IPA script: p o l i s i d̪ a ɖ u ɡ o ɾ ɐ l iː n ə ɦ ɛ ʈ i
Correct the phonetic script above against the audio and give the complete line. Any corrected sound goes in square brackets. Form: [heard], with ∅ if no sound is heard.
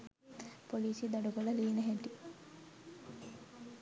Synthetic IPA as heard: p o l [iː] s i d̪ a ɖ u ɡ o [l] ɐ l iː n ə ɦ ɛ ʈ i

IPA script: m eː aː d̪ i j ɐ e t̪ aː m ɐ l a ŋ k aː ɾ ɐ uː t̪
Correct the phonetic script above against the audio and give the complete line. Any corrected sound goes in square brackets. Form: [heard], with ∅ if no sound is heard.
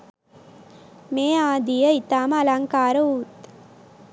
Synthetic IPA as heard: m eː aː d̪ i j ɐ [i] t̪ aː m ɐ l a ŋ k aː ɾ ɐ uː t̪

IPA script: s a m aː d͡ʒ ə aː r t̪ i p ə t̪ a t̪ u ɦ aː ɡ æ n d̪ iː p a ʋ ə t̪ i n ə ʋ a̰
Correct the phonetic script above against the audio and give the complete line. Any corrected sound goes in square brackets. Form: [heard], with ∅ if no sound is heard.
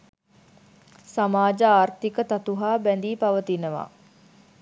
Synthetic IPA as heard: s a m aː d͡ʒ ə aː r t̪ i [k] ə t̪ a t̪ u ɦ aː [b] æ n d̪ iː p a ʋ ə t̪ i n ə ʋ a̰

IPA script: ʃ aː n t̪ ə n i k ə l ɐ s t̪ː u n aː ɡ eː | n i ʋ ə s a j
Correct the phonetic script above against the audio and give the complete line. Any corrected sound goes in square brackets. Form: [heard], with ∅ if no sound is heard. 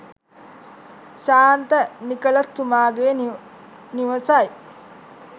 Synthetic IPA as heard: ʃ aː n t̪ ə n i k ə l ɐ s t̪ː u [m] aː ɡ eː | n i ʋ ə s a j

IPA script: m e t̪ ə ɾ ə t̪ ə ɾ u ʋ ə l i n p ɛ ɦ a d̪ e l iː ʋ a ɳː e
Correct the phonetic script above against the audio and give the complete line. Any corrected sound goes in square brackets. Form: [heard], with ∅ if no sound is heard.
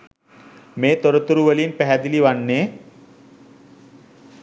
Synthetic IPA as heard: m e t̪ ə ɾ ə t̪ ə ɾ u ʋ ə l [iː] n p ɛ ɦ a d̪ [i] l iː ʋ a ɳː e

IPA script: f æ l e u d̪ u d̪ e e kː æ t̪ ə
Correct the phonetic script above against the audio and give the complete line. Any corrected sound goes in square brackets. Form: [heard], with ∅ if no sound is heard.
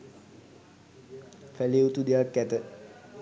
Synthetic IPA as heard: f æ l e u [t̪] u d̪ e [a] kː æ t̪ ə

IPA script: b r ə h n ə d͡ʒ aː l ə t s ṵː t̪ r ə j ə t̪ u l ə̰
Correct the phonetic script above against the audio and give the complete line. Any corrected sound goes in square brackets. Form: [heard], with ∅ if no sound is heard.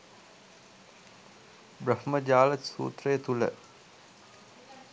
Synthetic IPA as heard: b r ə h [m] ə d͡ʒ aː l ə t s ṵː t̪ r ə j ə t̪ u l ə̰

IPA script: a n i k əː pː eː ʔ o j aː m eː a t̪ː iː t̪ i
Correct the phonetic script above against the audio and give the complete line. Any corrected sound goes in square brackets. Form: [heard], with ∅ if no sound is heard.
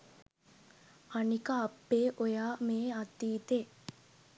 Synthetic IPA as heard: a n i k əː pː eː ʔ o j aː m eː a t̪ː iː t̪ [e]

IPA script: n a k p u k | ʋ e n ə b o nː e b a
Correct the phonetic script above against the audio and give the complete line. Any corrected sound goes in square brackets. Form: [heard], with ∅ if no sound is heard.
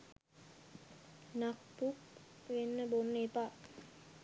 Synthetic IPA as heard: n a k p u k | ʋ e [nː] ə b o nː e [p] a

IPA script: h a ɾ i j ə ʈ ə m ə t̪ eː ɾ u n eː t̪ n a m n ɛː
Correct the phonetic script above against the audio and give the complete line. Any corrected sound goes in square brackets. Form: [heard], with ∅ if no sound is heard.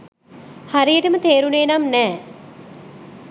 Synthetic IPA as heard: h a ɾ i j ə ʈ ə m ə t̪ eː ɾ u n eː [∅] n a m n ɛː

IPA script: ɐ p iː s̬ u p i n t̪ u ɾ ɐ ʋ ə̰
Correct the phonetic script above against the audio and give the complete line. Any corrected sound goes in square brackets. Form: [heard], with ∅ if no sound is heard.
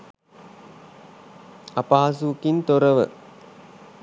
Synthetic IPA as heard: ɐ p [aː] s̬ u [k] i n t̪ [o] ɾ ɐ ʋ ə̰

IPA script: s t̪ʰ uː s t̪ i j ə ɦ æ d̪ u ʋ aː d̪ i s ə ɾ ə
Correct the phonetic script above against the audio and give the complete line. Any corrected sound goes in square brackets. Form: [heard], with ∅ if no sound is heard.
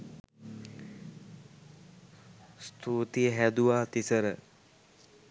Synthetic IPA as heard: s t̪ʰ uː [∅] t̪ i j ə ɦ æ d̪ u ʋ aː [t̪] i s ə ɾ ə

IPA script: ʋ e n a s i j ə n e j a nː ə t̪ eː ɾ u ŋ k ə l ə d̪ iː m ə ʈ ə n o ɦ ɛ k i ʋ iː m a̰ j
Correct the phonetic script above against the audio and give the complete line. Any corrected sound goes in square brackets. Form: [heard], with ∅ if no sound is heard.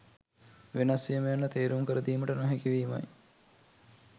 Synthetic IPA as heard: ʋ e n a s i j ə [m] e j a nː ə t̪ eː ɾ u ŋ k ə [ɾ] ə d̪ iː m ə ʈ ə n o ɦ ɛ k i ʋ iː m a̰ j

